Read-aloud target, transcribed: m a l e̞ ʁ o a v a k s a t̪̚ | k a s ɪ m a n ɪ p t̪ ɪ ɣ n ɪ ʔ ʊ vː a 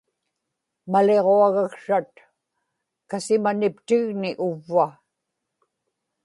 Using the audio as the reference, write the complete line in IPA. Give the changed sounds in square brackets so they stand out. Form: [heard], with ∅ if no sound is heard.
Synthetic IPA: m a l e̞ ʁ o a [ɣ] a k [ʂ] a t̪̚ | k a s ɪ m a n ɪ p t̪ ɪ ɣ n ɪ ʔ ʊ vː a